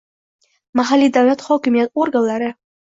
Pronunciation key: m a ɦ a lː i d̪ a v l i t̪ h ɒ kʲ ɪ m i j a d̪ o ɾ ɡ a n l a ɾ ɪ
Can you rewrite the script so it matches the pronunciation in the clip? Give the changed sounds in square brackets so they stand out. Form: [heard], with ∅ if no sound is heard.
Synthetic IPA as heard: m a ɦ a lː i d̪ a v l [a] t̪ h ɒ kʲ ɪ m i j a [t̪] o ɾ ɡ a n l a ɾ ɪ